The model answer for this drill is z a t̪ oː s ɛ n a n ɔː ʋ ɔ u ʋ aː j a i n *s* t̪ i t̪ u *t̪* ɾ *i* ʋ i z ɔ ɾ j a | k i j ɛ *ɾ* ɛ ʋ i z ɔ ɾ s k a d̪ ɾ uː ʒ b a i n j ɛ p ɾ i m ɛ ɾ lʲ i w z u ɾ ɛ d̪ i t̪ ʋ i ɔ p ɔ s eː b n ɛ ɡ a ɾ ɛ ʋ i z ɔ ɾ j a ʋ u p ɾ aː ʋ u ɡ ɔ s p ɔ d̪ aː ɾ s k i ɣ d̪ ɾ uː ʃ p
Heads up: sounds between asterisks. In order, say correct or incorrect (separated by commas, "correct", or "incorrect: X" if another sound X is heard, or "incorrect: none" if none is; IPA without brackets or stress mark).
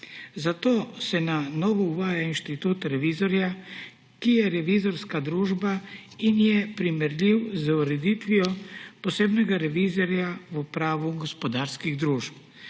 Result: incorrect: ʃ, correct, incorrect: ɛ, correct